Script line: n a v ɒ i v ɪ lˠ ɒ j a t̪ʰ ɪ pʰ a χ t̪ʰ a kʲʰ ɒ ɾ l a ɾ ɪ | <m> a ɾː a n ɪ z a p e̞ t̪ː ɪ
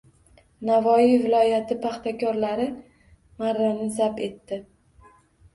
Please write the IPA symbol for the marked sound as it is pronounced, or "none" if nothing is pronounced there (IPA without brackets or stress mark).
m